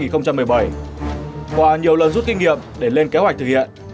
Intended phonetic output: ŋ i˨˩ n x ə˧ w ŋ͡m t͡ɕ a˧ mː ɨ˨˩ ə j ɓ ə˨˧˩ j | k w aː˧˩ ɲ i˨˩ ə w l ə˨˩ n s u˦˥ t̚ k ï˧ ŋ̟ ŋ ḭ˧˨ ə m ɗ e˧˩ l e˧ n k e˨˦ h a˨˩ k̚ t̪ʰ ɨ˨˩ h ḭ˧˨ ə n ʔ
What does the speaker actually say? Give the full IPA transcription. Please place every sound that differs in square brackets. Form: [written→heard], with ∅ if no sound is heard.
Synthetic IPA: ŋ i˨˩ n x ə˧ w ŋ͡m t͡ɕ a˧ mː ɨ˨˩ ə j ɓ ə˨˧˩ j | k w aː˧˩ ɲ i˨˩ ə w l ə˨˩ n [s→z] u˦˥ t̚ k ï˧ ŋ̟ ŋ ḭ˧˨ ə m ɗ e˧˩ l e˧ n k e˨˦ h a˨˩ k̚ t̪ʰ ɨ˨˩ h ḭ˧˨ ə n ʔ